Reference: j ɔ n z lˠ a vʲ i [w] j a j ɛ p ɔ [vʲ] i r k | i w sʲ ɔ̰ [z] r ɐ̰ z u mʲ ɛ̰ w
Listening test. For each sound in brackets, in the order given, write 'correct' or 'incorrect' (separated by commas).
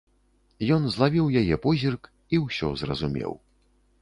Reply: correct, incorrect, correct